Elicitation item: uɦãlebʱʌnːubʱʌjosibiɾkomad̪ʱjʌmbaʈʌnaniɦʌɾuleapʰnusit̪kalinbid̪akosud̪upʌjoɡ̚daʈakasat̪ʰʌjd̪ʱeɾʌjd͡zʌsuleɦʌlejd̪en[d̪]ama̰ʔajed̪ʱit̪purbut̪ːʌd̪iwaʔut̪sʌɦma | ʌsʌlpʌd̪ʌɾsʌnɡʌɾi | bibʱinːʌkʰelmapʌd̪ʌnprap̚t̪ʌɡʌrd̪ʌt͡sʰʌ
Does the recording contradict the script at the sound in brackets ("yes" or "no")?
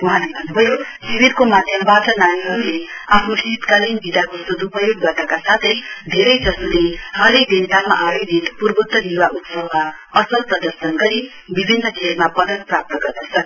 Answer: yes